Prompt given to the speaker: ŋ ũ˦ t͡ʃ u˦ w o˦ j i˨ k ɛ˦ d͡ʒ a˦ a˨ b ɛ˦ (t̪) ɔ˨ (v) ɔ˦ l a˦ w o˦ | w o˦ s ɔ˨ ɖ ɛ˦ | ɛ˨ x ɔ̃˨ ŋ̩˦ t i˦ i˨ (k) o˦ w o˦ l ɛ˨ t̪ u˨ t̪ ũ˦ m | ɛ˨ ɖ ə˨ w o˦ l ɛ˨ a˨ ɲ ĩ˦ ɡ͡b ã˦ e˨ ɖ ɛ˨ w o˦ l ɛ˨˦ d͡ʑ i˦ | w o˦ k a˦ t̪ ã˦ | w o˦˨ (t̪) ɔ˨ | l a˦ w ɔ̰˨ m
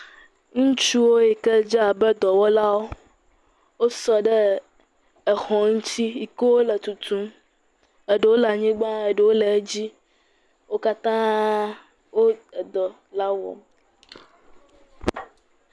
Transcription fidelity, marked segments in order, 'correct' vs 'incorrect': incorrect: d̪, incorrect: w, correct, incorrect: d̪

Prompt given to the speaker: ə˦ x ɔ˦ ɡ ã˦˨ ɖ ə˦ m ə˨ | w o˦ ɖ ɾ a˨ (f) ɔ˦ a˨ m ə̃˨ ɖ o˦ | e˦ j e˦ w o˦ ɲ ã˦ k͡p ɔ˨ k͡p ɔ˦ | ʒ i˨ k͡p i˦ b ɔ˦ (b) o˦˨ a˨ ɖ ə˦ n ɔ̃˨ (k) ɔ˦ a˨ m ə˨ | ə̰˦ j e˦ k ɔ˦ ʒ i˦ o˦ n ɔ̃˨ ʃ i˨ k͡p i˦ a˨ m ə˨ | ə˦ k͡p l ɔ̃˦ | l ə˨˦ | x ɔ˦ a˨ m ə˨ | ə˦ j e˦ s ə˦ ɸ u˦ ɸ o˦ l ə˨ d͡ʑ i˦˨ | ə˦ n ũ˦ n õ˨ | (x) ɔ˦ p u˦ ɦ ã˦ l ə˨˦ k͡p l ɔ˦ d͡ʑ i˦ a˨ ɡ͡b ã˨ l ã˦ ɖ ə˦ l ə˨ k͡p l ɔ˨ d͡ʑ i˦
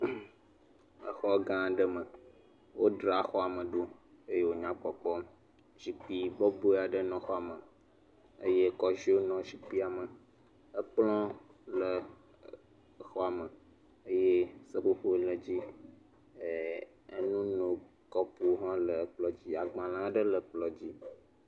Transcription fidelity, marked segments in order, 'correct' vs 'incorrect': incorrect: x, correct, incorrect: x, incorrect: k

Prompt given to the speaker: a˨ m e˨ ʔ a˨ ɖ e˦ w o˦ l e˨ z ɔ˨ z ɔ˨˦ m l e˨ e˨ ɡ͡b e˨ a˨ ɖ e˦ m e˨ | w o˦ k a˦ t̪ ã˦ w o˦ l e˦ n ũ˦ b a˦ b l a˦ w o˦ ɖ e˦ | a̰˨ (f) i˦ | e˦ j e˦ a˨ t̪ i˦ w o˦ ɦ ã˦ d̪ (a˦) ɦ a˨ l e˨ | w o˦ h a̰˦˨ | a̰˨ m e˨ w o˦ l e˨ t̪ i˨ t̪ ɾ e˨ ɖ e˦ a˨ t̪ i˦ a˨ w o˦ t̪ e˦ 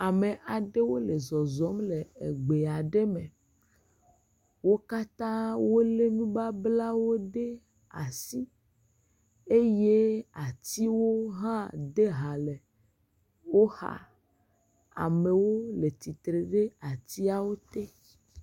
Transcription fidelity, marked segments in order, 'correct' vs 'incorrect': incorrect: s, incorrect: e˦

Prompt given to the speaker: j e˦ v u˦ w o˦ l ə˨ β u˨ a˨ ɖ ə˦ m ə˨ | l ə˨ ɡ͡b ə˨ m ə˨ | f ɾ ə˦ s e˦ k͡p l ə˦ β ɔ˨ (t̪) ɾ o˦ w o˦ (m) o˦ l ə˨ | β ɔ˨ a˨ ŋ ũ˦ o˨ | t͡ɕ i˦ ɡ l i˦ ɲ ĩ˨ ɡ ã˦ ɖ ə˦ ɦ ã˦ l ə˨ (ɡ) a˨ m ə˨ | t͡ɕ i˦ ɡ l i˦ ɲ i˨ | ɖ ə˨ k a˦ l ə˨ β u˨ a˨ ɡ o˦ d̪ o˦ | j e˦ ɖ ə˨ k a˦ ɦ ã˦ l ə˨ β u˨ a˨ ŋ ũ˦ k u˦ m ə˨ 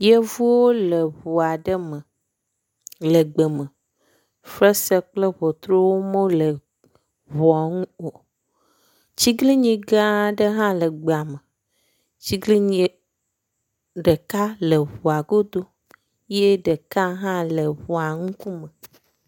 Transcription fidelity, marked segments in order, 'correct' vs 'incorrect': correct, correct, incorrect: ɡ͡b

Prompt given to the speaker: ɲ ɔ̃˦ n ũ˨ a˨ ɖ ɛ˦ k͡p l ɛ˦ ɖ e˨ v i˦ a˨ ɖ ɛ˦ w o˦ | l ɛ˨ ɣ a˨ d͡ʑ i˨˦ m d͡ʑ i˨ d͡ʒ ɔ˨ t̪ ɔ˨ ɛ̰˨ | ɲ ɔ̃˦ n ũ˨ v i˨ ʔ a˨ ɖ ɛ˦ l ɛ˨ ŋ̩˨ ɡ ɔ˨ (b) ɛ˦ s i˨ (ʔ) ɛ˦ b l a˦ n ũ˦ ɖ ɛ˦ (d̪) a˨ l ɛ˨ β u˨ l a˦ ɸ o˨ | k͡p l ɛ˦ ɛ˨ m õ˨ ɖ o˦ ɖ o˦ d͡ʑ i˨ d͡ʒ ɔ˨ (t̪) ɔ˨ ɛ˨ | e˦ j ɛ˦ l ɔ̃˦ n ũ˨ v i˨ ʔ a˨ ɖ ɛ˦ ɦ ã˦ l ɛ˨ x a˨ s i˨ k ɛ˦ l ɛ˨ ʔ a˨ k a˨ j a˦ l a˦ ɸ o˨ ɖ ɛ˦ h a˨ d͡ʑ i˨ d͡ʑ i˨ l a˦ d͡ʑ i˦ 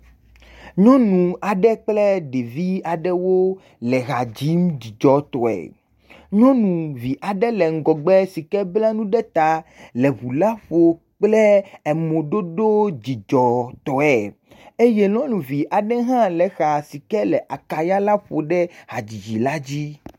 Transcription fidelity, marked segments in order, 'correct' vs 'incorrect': incorrect: ɡ͡b, incorrect: k, incorrect: t̪, correct

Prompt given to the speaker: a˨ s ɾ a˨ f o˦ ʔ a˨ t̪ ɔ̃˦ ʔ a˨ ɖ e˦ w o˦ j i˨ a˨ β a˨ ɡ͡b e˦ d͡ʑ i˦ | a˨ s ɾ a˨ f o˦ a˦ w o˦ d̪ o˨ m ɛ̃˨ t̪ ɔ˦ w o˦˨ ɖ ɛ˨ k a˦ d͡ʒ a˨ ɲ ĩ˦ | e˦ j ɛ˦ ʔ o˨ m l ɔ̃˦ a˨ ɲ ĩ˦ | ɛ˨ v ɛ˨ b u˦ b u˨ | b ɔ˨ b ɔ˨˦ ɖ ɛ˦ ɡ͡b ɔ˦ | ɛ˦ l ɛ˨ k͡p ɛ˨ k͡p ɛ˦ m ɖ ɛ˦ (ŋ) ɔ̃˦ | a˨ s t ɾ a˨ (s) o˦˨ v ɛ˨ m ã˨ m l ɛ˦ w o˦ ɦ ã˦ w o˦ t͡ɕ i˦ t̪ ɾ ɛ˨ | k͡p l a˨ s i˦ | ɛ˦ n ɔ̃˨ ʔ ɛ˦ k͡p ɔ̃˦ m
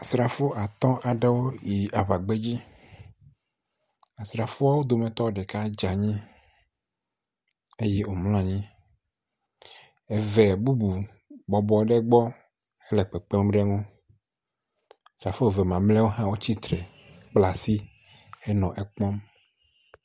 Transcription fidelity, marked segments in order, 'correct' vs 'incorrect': correct, incorrect: f

